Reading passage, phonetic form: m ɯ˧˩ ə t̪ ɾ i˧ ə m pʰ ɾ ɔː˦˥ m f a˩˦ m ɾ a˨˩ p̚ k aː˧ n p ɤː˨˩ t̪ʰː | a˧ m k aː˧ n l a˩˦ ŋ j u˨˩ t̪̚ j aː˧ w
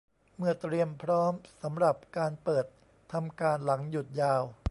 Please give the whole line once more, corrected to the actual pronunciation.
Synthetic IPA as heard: m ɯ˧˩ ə t̪ ɾ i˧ ə m pʰ ɾ ɔː˦˥ m s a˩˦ m ɾ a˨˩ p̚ k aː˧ n p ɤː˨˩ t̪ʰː | a˧ m k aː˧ n l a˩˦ ŋ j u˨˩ t̪̚ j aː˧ w